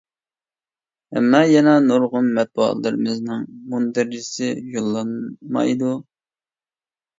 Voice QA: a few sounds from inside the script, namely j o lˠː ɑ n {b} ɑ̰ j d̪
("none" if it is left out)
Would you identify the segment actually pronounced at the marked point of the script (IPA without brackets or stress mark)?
m